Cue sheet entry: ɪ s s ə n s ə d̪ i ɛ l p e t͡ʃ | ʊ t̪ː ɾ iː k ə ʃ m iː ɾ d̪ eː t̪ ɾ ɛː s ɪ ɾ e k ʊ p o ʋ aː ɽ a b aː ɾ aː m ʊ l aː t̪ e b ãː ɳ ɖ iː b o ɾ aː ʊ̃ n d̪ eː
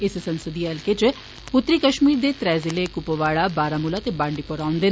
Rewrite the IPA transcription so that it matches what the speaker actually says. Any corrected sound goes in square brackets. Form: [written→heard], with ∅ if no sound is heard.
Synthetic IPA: ɪ s s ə n s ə d̪ i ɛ l [p→k] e t͡ʃ | ʊ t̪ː ɾ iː k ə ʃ m iː ɾ d̪ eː t̪ ɾ ɛː [s→z] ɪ [ɾ→l] e k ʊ p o ʋ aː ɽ a b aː ɾ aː m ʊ l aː t̪ e b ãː ɳ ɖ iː [b→p] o ɾ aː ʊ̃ n d̪ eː